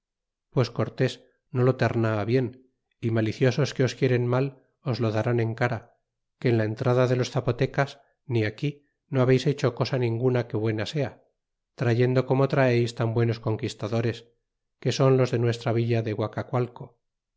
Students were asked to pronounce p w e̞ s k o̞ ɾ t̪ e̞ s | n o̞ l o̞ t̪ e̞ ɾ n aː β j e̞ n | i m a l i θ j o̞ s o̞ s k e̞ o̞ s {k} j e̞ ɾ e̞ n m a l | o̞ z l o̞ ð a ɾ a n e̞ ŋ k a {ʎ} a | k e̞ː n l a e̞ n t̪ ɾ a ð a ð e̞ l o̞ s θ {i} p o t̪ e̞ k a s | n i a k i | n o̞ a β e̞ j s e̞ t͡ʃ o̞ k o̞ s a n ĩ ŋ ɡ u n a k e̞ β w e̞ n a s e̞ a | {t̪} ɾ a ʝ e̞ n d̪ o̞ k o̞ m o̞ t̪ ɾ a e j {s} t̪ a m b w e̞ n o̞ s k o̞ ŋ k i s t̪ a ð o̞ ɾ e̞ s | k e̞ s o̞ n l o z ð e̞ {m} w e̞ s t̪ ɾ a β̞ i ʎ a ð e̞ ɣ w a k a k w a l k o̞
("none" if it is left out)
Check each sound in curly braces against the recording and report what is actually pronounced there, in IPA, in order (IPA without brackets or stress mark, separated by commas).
k, ɾ, a, t̪, s, n